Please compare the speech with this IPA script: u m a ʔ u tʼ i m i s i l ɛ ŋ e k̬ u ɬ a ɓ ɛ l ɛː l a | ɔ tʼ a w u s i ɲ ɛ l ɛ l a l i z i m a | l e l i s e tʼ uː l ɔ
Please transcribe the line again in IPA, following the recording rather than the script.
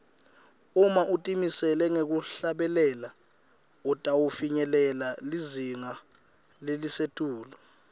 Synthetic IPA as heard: u m a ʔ u tʼ i m i s ɛ l ɛ ŋ e k̬ u ɬ a ɓ ɛ l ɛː l a | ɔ tʼ a w u f i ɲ ɛ l ɛ l a l i z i ŋ a | l e l i s e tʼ uː l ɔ